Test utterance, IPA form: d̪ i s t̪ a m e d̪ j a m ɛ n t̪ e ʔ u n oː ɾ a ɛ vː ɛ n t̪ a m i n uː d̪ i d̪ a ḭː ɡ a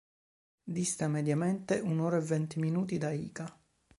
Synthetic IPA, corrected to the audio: d̪ i s t̪ a m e d̪ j a m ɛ n t̪ e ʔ u n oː ɾ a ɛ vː ɛ n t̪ i m i n uː t̪ i d̪ a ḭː k a